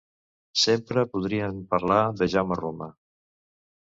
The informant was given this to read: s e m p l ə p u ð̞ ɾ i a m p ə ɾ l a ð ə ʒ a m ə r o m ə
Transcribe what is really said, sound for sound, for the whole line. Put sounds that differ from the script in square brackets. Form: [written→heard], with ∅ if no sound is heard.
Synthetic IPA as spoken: s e m p [l→ɾ] ə p u ð̞ ɾ i [a→ə] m p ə ɾ l a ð ə ʒ a m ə r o m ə